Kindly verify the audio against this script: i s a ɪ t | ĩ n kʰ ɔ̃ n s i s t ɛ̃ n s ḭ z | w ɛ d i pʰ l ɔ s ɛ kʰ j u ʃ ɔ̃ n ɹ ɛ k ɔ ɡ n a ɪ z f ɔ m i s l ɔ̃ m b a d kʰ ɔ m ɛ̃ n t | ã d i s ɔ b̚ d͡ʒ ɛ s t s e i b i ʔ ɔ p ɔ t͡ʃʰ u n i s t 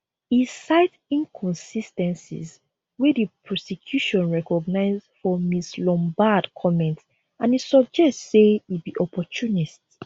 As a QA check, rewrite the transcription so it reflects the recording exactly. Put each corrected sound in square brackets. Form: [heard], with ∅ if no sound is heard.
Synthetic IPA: i s a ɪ t | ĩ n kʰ ɔ̃ n s i s t ɛ̃ n s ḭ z | w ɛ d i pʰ [ɹ] ɔ s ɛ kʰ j u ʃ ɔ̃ n ɹ ɛ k ɔ ɡ n a ɪ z f ɔ m i s l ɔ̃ m b a d kʰ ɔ m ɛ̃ n t | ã [n] i s ɔ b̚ d͡ʒ ɛ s t s e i b i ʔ ɔ p ɔ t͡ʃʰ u n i s t